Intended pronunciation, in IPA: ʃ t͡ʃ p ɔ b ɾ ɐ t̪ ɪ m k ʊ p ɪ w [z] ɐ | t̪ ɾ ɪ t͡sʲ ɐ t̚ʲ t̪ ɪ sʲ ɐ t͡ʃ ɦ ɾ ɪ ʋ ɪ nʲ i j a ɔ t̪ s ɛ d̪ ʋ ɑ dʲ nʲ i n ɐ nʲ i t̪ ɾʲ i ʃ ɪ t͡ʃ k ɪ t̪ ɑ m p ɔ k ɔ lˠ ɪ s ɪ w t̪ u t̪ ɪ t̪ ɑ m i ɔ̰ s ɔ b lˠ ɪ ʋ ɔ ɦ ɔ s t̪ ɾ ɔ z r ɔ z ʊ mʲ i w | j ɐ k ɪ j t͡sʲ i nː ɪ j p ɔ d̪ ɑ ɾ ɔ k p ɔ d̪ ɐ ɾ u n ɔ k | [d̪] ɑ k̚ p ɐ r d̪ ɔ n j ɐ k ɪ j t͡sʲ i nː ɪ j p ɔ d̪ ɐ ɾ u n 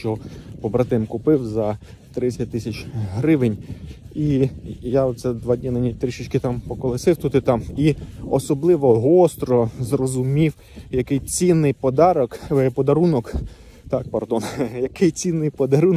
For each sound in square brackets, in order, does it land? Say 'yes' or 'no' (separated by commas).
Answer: yes, no